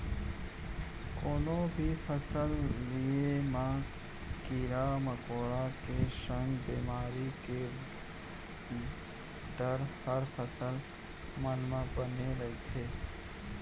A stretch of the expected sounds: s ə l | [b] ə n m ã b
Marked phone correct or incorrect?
incorrect